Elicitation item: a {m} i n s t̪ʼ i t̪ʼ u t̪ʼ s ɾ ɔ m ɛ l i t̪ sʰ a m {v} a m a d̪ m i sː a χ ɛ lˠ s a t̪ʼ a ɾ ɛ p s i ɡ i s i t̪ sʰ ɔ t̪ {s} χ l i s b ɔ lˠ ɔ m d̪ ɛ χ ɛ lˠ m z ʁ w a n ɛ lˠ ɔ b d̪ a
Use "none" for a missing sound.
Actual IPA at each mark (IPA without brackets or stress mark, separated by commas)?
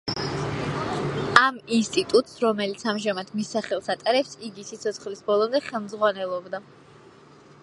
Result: m, ʒ, s